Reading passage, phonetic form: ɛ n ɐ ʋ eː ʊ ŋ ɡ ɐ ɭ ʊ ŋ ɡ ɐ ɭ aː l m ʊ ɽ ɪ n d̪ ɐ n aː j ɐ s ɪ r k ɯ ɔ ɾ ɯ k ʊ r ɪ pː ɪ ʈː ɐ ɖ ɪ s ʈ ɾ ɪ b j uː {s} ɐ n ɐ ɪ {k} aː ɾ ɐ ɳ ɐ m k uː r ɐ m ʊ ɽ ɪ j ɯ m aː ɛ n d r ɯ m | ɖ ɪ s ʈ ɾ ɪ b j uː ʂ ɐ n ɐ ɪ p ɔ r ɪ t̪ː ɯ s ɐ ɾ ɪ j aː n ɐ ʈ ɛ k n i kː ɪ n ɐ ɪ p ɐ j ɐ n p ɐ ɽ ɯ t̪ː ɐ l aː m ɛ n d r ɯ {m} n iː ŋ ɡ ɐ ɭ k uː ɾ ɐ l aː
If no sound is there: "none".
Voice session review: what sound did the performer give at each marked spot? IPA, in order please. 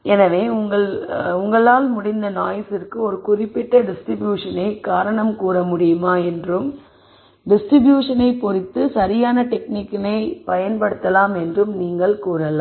ʂ, k, m

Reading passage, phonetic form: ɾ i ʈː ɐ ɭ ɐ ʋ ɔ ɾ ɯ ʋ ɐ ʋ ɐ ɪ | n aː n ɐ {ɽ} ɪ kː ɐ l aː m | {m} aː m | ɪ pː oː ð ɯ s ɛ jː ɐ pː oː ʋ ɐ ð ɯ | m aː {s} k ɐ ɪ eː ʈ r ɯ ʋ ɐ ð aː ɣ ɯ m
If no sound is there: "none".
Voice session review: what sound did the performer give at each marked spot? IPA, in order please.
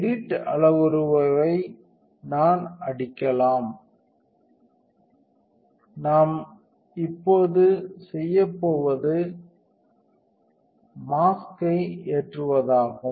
ɽ, n, s

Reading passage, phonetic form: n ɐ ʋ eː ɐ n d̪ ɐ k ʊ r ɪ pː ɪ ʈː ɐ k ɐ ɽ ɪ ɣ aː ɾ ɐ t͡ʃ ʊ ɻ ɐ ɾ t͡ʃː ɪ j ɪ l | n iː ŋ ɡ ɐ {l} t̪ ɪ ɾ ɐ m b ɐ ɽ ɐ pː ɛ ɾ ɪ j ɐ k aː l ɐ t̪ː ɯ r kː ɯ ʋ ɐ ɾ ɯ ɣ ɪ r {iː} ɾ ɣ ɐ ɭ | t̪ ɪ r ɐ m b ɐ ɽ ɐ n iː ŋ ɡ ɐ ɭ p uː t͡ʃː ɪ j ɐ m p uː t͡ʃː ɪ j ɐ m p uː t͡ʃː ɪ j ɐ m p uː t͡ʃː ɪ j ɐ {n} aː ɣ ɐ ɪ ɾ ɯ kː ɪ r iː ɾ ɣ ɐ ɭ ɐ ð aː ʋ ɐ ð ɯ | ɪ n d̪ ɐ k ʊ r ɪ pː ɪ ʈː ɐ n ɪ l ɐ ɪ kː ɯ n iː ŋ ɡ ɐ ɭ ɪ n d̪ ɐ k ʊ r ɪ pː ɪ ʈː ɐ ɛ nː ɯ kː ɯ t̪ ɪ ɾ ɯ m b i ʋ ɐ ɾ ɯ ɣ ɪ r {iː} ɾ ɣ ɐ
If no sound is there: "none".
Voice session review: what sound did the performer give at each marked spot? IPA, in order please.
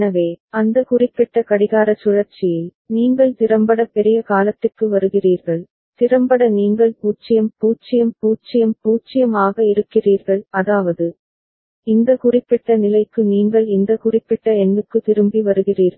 ɭ, iː, m, iː

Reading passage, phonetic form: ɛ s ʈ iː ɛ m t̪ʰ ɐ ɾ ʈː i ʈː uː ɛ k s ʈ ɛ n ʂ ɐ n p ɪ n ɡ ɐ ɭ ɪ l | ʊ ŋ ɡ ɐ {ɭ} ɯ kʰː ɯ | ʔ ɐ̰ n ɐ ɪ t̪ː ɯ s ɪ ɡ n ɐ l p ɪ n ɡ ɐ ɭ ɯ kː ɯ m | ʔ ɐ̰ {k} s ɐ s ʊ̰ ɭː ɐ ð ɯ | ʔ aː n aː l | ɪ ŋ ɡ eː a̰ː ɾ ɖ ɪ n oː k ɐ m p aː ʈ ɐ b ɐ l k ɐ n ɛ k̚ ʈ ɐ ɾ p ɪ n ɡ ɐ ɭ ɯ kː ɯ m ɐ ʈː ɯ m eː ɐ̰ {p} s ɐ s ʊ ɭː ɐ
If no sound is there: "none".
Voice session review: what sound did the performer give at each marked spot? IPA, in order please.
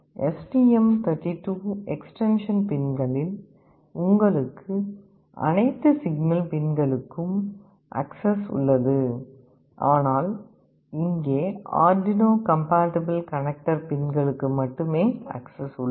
ɭ, k, k

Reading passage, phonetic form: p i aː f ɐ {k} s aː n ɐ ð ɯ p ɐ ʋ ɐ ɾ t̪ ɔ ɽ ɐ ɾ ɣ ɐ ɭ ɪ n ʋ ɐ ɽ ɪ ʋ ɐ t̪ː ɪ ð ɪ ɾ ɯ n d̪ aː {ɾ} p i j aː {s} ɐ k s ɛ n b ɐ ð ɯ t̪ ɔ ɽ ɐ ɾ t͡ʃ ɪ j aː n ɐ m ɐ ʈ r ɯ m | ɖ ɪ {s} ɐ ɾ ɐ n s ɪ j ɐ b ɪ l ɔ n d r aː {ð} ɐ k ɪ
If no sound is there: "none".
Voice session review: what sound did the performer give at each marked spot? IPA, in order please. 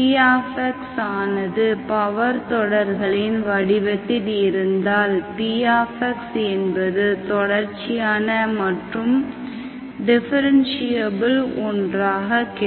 k, l, f, f, ɣ

